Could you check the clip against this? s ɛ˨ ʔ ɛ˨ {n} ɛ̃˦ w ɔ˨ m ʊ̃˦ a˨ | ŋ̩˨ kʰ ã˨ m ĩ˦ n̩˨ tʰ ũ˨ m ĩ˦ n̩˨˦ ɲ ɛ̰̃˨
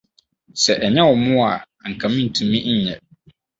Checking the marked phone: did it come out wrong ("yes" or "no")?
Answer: yes